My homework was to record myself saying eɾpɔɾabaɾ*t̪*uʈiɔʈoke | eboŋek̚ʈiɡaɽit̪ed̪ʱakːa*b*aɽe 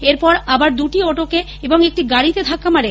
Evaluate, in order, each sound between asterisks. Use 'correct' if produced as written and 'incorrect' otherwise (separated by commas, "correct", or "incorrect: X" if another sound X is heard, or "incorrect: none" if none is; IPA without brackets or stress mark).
incorrect: d̪, incorrect: m